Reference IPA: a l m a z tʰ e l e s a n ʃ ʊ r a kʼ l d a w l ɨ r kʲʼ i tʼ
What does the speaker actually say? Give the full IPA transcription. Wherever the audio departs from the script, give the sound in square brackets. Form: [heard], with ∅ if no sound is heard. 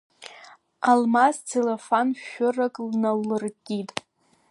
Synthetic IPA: a l m a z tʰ e l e [f] a n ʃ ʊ r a kʼ l [n] a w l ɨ r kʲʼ i tʼ